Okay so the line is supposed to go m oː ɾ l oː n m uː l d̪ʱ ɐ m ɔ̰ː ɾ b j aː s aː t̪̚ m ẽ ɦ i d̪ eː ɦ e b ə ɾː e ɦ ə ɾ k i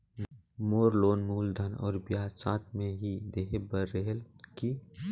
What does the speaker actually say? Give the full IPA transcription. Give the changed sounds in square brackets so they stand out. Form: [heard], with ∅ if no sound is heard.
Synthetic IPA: m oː ɾ l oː n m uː l d̪ʱ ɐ [n] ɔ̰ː ɾ b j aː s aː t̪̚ m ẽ ɦ i d̪ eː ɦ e b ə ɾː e ɦ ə [l] k i